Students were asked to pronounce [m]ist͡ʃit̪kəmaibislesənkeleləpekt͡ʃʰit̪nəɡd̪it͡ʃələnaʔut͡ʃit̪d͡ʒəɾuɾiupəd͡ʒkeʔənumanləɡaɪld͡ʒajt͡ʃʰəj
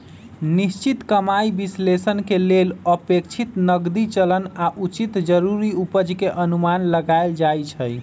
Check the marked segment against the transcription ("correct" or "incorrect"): incorrect